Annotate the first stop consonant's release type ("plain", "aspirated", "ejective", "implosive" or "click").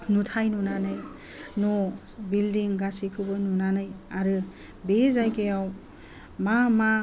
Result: aspirated